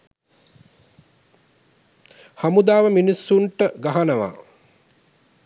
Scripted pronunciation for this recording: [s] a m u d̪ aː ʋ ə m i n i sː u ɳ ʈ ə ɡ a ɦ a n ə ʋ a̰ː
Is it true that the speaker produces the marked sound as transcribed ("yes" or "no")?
no